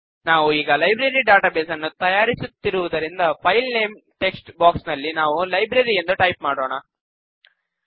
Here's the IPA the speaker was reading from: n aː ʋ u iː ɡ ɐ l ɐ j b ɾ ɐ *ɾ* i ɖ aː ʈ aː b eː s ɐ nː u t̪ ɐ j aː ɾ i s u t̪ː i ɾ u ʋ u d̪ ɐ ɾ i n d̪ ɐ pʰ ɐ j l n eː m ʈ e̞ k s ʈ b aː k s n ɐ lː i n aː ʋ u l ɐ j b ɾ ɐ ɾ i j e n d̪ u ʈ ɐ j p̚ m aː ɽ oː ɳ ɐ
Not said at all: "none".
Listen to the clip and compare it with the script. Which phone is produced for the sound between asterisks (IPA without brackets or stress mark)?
ɾ